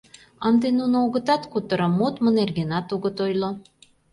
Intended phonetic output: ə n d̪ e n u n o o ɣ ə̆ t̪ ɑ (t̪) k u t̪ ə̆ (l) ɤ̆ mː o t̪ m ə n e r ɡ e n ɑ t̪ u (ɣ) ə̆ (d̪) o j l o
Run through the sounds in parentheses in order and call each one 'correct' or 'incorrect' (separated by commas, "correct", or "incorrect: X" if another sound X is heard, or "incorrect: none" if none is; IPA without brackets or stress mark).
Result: correct, incorrect: ɾ, correct, incorrect: t̪